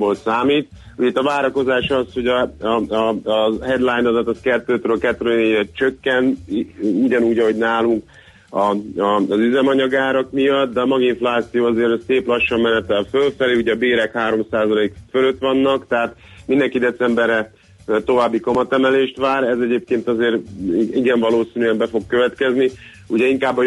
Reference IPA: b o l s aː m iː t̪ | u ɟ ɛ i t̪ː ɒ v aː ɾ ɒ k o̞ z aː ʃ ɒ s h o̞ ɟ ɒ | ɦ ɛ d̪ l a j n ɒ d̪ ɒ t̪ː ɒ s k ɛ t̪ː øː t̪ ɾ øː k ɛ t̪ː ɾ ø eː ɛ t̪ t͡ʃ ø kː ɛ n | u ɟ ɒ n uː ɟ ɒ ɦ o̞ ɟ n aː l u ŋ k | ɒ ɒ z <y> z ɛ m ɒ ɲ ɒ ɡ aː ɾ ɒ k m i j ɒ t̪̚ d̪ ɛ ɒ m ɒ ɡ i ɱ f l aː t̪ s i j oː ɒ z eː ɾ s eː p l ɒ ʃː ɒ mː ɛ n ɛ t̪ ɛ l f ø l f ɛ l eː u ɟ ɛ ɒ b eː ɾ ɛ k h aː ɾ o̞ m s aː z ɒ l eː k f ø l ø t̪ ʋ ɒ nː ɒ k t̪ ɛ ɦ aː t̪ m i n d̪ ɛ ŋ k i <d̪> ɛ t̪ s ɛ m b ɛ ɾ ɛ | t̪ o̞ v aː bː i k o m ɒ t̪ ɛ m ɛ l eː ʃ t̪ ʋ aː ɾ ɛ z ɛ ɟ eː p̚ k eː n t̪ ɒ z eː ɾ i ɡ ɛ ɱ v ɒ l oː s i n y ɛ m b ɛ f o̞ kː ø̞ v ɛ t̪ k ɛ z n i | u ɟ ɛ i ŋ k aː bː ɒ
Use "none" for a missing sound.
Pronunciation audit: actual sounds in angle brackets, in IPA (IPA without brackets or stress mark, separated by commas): y, d̪